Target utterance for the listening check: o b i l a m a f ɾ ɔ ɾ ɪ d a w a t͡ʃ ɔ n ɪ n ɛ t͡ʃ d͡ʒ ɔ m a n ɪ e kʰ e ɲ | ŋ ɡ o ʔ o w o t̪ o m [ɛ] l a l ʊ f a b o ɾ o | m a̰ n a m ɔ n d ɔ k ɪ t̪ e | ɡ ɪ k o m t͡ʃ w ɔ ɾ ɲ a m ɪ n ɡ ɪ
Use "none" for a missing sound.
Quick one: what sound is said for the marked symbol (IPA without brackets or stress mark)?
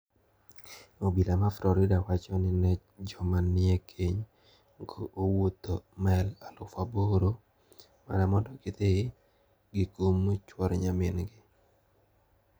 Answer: ɛ